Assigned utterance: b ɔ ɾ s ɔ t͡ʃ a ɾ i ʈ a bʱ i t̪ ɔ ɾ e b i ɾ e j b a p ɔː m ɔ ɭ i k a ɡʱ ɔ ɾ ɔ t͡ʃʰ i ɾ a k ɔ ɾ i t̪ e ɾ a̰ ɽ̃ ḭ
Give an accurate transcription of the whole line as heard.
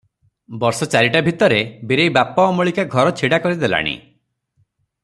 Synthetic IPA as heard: b ɔ ɾ s ɔ t͡ʃ a ɾ i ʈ a bʱ i t̪ ɔ ɾ e b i ɾ e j b a p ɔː m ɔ ɭ i k a ɡʱ ɔ ɾ ɔ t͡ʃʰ i ɽ a k ɔ ɾ i d̪ e l a̰ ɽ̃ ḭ

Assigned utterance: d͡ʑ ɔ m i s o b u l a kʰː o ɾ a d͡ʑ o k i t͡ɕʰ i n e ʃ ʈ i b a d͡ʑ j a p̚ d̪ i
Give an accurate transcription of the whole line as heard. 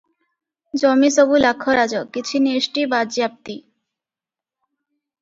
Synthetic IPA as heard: d͡ʑ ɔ m i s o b u l a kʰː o ɾ a d͡ʑ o k i t͡ɕʰ i n e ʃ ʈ i b a d͡ʑ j a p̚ t̪ i

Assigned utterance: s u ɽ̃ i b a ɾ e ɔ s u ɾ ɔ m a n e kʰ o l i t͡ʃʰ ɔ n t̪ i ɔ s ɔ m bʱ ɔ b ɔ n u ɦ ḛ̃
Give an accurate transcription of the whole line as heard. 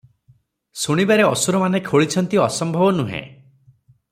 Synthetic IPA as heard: s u ɽ̃ i b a ɾ e ɔ s u ɾ ɔ m a n e kʰ o ɭ i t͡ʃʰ ɔ n t̪ i ɔ s ɔ m bʱ ɔ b ɔ n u ɦ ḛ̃

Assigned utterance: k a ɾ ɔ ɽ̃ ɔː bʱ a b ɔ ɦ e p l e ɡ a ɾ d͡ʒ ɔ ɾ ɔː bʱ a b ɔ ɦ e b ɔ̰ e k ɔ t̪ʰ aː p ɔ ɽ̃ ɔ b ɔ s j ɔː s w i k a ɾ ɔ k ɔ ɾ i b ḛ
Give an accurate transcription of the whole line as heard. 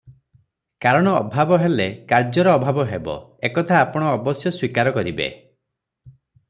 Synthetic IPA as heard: k a ɾ ɔ ɽ̃ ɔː bʱ a b ɔ ɦ e l e k a ɾ d͡ʒ ɔ ɾ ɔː bʱ a b ɔ ɦ e b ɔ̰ e k ɔ t̪ʰ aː p ɔ ɽ̃ ɔː b ɔ s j ɔ s w i k a ɾ ɔ k ɔ ɾ i b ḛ

